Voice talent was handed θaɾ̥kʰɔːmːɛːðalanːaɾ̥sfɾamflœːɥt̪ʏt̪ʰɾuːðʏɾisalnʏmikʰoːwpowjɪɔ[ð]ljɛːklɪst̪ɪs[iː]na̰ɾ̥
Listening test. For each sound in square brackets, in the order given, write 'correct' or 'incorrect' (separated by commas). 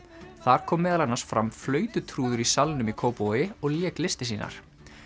incorrect, correct